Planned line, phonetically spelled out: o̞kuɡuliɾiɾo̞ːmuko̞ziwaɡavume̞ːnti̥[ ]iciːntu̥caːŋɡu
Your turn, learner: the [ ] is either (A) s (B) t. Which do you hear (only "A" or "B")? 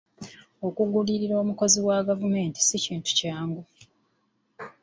A